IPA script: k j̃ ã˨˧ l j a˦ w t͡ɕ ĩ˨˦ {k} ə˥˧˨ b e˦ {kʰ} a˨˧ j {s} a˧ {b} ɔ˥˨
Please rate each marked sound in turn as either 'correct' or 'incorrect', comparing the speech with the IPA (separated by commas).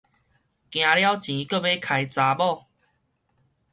correct, correct, incorrect, correct